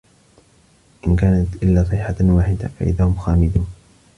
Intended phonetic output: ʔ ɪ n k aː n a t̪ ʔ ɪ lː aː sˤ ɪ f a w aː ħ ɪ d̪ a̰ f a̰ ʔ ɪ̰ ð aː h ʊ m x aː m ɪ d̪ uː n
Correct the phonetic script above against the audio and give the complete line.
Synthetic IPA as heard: ʔ ɪ n k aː n a t̪ ʔ ɪ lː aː sˤ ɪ ħ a w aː ħ ɪ d̪ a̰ f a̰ ʔ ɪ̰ ð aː h ʊ m x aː m ɪ d̪ uː n